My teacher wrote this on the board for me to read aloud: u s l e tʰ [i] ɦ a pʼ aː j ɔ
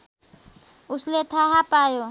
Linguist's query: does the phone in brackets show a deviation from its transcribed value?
yes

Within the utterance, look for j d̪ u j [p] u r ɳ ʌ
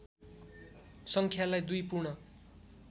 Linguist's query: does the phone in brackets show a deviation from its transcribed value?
no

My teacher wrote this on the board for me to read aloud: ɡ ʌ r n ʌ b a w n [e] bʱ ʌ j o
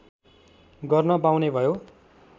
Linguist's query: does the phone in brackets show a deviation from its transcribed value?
no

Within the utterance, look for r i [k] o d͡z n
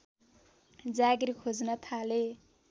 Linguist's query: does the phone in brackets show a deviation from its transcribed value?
yes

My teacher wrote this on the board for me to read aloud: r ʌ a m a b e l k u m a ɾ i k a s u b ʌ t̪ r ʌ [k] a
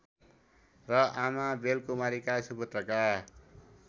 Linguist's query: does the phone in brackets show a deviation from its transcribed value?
no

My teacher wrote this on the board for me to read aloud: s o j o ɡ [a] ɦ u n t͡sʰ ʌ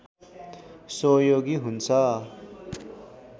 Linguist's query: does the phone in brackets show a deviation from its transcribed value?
yes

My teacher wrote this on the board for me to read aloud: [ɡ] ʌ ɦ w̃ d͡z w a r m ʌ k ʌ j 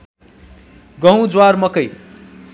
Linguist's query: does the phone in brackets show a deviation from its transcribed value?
no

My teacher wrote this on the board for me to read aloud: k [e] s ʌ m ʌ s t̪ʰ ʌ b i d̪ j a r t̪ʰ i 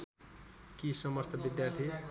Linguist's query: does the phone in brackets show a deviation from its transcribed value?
yes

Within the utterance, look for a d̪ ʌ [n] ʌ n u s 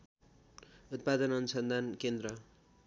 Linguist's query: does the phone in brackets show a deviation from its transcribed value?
no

